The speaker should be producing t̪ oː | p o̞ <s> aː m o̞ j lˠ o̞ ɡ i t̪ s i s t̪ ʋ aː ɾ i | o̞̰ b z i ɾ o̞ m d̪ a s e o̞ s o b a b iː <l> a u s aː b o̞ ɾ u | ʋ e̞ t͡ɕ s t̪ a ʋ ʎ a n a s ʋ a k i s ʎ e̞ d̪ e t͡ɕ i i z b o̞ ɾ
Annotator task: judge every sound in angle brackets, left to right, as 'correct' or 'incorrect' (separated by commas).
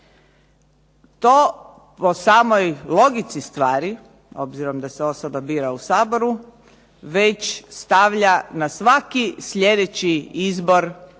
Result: correct, incorrect